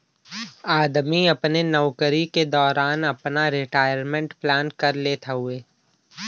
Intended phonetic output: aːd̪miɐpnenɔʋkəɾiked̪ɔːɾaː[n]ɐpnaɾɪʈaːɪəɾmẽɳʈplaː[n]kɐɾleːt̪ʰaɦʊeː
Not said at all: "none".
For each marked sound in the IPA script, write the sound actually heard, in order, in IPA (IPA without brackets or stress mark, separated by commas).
n, n